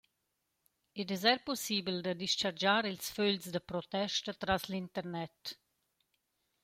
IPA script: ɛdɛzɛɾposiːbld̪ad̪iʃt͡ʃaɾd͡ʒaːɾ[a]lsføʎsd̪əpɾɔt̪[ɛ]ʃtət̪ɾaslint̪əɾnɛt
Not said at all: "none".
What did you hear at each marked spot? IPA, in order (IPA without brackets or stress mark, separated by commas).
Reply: i, ɛ